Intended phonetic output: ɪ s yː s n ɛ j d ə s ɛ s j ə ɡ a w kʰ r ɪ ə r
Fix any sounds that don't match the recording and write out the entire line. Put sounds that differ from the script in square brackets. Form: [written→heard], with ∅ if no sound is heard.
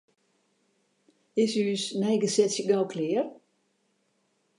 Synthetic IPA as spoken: ɪ s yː s n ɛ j [d→ɡ] ə s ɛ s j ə ɡ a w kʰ [r→l] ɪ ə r